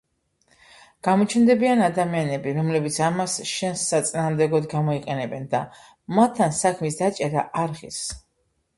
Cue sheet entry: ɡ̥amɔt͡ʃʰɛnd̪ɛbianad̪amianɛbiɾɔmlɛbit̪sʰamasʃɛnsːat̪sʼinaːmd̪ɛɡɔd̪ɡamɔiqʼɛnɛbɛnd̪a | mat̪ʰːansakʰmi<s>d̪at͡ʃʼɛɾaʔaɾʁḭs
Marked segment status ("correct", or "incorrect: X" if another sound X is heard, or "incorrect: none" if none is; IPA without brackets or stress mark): correct